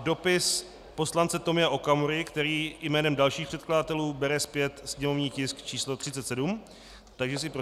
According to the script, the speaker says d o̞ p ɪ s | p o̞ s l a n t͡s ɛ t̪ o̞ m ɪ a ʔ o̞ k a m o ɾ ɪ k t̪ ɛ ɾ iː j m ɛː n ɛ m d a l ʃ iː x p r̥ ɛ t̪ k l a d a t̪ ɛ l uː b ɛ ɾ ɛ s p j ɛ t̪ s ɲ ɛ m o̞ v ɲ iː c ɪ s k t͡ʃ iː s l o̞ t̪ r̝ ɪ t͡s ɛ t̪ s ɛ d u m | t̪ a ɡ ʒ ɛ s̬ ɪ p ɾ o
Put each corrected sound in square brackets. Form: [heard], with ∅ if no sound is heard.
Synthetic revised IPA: d o̞ p ɪ s | p o̞ s l a n t͡s ɛ t̪ o̞ m ɪ a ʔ o̞ k a m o ɾ ɪ k t̪ ɛ ɾ iː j m ɛː n ɛ m d a l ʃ iː x p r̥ ɛ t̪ k l a d a t̪ ɛ l uː b ɛ ɾ ɛ s p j ɛ t̪ s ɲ ɛ m o̞ v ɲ iː c ɪ s k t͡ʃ iː s l o̞ t̪ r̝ ɪ t͡s ɛ t̪ s ɛ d u m | t̪ a ɡ ʒ ɛ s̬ ɪ p ɾ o

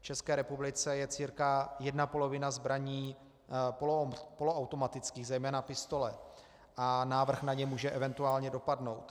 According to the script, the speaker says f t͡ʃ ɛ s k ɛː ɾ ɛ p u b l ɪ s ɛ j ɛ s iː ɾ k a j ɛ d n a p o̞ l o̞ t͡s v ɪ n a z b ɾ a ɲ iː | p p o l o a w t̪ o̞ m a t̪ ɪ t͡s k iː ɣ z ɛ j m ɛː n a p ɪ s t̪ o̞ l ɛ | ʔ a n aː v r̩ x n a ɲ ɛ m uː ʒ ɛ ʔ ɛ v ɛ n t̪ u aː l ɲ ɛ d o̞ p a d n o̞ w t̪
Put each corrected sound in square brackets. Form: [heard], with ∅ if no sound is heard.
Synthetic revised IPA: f t͡ʃ ɛ s k ɛː ɾ ɛ p u b l ɪ [t͡s] ɛ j ɛ [t͡s] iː ɾ k a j ɛ d n a p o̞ l o̞ [∅] v ɪ n a z b ɾ a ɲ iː | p p o l o a w t̪ o̞ m a t̪ ɪ t͡s k iː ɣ z ɛ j m ɛː n a p ɪ s t̪ o̞ l ɛ | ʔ a n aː v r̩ x n a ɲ ɛ m uː ʒ ɛ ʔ ɛ v ɛ n t̪ u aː l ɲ ɛ d o̞ p a d n o̞ w t̪

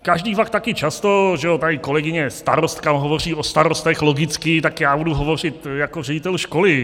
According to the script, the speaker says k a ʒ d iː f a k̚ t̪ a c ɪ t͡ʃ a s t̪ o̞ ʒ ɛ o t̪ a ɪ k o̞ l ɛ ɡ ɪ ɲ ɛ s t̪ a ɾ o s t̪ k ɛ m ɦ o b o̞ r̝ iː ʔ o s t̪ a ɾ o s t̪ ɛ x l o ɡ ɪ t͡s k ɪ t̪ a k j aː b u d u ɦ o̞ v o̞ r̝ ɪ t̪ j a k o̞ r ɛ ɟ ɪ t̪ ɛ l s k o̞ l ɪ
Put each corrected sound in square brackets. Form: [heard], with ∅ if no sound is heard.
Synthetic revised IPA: k a ʒ d iː f a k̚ t̪ a [k] ɪ t͡ʃ a s t̪ o̞ ʒ ɛ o t̪ a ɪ k o̞ l ɛ ɡ ɪ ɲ ɛ s t̪ a ɾ o s t̪ k [a] m ɦ o [v] o̞ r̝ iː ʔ o s t̪ a ɾ o s t̪ ɛ x l o ɡ ɪ t͡s k ɪ t̪ a k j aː b u d u ɦ o̞ v o̞ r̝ ɪ t̪ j a k o̞ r ɛ ɟ ɪ t̪ ɛ l [ʃ] k o̞ l ɪ

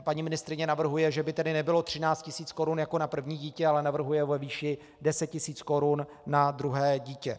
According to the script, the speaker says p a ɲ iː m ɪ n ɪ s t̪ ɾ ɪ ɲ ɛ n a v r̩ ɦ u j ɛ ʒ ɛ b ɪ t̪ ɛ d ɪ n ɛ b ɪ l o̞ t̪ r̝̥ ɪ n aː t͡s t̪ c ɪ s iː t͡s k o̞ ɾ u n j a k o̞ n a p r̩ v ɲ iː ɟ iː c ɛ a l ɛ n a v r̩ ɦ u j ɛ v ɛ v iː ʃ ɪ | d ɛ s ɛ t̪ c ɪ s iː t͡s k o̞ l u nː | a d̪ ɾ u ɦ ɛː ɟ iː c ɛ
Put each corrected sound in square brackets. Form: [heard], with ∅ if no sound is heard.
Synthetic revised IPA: p a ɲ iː m ɪ n ɪ s t̪ ɾ ɪ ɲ ɛ n a v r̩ ɦ u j ɛ ʒ ɛ b ɪ t̪ ɛ d ɪ n ɛ b ɪ l o̞ t̪ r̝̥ ɪ n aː t͡s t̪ c ɪ s iː t͡s k o̞ ɾ u n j a k o̞ n a p r̩ v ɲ iː ɟ iː c ɛ a l ɛ n a v r̩ ɦ u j ɛ v ɛ v iː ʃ ɪ | d ɛ s ɛ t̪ c ɪ s iː t͡s k o̞ [ɾ] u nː | a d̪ ɾ u ɦ ɛː ɟ iː c ɛ

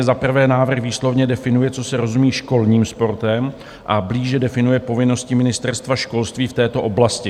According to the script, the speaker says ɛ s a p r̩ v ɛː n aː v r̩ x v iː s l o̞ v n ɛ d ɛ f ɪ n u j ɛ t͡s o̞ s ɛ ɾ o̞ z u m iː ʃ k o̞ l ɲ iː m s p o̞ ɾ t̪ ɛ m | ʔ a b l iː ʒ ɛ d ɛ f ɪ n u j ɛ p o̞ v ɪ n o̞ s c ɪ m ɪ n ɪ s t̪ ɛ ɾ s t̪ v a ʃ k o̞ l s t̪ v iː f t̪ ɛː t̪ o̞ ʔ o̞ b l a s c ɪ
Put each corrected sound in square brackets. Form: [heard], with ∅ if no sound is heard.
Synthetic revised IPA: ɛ [z] a p r̩ v ɛː n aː v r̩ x v iː s l o̞ v [ɲ] ɛ d ɛ f ɪ n u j ɛ t͡s o̞ s ɛ ɾ o̞ z u m iː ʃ k o̞ l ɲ iː m s p o̞ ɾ t̪ ɛ m | ʔ a b l iː ʒ ɛ d ɛ f ɪ n u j ɛ p o̞ v ɪ n o̞ s c ɪ m ɪ n ɪ s t̪ ɛ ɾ s t̪ v a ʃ k o̞ l s t̪ v iː f t̪ ɛː t̪ o̞ ʔ o̞ b l a s c ɪ

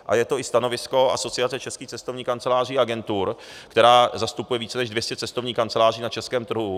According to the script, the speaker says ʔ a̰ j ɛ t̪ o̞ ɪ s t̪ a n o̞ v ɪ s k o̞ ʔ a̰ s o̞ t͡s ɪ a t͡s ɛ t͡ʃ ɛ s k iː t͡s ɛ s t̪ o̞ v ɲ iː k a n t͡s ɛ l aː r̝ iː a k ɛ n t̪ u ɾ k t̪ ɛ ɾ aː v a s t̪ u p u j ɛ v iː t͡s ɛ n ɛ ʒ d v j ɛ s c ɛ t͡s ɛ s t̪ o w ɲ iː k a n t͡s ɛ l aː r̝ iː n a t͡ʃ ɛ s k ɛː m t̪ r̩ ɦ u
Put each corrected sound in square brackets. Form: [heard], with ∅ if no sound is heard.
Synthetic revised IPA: ʔ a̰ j ɛ t̪ o̞ ɪ s t̪ a n o̞ v ɪ s k o̞ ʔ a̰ s o̞ t͡s ɪ a t͡s ɛ t͡ʃ ɛ s k iː t͡s ɛ s t̪ o̞ v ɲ iː k a n t͡s ɛ l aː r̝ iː a [ɡ] ɛ n t̪ u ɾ k t̪ ɛ ɾ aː [z] a s t̪ u p u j ɛ v iː t͡s ɛ n ɛ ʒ d v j ɛ s c ɛ t͡s ɛ s t̪ o [v] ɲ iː k a n t͡s ɛ l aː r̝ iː n a t͡ʃ ɛ s k ɛː m t̪ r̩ ɦ u

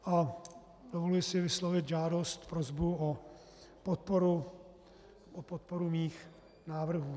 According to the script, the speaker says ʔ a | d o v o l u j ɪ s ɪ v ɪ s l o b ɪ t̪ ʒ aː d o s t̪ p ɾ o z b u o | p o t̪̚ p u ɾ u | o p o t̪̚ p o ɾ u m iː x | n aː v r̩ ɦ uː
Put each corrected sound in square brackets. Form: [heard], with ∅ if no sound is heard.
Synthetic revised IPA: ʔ a | d o v o l u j ɪ s ɪ v ɪ s l o [v] ɪ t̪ ʒ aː d o s t̪ p ɾ o z b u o | p o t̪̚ p [o] ɾ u | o p o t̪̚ p o ɾ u m iː x | n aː v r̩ ɦ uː

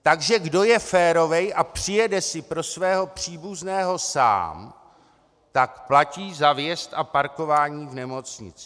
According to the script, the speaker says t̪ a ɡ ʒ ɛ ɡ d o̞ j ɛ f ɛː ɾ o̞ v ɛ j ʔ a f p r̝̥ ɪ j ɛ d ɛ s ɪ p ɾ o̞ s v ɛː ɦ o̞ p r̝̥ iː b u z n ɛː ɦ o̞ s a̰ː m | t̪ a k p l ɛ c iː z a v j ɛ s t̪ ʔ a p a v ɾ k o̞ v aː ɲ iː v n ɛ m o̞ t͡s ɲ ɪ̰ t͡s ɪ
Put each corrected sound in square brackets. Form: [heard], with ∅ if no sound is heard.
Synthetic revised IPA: t̪ a ɡ ʒ ɛ ɡ d o̞ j ɛ f ɛː ɾ o̞ v ɛ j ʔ a [∅] p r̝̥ ɪ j ɛ d ɛ s ɪ p ɾ o̞ s v ɛː ɦ o̞ p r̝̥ iː b u z n ɛː ɦ o̞ s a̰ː m | t̪ a k p l [a] c iː z a v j ɛ s t̪ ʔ a p a [∅] ɾ k o̞ v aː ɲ iː v n ɛ m o̞ t͡s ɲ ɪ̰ t͡s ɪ

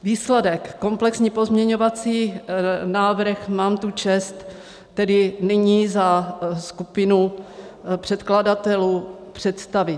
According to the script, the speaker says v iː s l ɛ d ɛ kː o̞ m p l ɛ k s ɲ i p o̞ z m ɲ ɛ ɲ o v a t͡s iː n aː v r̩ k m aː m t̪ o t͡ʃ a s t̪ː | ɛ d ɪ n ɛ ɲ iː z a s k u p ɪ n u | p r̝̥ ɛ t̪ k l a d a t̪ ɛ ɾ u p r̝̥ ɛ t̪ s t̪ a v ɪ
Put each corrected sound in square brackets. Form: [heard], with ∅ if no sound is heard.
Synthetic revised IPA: v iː s l ɛ d ɛ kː o̞ m p l ɛ k s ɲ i p o̞ z m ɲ ɛ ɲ o v a t͡s iː n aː v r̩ [x] m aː m t̪ [u] t͡ʃ [ɛ] s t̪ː | ɛ d ɪ n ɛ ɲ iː z a s k u p ɪ n u | p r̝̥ ɛ t̪ k l a d a t̪ ɛ [l] u p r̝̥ ɛ t̪ s t̪ a v ɪ

